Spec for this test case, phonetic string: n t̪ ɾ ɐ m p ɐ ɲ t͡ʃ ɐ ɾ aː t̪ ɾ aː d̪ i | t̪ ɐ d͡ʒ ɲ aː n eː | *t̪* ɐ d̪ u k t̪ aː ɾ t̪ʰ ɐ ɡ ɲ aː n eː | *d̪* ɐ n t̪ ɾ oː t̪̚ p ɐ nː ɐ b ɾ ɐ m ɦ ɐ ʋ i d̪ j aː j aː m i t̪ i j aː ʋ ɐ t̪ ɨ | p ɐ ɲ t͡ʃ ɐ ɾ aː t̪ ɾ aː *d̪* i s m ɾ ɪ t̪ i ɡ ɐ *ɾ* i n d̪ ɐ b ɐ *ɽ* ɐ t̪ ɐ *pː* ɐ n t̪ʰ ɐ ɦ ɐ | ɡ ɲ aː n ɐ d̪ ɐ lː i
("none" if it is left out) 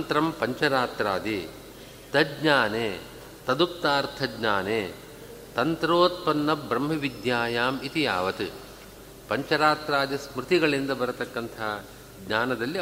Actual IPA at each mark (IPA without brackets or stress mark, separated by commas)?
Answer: t̪, t̪, d̪, ɭ, ɾ, kː